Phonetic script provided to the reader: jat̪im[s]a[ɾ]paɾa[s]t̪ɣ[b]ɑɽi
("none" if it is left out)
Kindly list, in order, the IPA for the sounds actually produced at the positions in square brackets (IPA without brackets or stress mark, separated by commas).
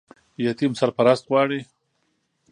s, ɾ, s, w